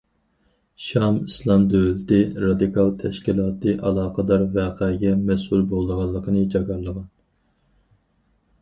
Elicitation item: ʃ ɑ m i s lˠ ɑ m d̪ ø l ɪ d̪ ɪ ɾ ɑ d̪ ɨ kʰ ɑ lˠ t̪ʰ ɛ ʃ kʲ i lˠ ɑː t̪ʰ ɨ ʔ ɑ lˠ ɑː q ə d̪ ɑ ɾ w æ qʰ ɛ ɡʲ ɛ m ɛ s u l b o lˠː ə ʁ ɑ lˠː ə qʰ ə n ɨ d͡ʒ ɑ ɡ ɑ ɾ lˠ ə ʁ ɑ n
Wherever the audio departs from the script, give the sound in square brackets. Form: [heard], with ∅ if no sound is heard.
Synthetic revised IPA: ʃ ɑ m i s lˠ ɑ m d̪ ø l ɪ [t̪] ɪ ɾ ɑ d̪ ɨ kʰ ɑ lˠ t̪ʰ ɛ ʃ kʲ i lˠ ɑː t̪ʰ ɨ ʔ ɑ lˠ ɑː q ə d̪ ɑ ɾ [v] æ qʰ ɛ ɡʲ ɛ m ɛ s u l b o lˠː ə ʁ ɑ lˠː ə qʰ ə n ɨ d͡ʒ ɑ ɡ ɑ ɾ lˠ ə ʁ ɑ n